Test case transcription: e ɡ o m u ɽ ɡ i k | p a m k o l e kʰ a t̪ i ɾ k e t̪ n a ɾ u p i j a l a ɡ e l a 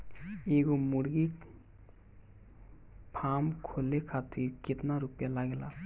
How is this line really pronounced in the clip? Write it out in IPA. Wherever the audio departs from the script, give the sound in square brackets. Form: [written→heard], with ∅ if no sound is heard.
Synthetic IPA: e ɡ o m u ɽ ɡ i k | [p→pʰ] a m [k→kʰ] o l e kʰ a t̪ i ɾ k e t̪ n a ɾ u p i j a l a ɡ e l a